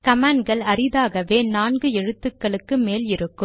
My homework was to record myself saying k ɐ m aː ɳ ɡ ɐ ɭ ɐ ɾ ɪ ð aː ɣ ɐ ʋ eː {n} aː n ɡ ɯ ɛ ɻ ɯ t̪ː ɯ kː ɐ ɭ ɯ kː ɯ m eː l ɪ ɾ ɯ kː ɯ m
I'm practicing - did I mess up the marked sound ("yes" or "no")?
no